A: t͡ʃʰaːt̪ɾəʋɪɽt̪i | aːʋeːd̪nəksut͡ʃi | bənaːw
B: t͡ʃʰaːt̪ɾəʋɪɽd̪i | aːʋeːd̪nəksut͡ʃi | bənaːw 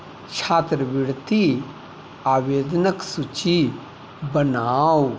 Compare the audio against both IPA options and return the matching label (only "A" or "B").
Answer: A